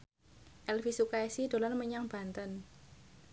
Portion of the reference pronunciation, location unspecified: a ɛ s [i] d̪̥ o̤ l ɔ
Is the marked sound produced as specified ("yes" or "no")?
yes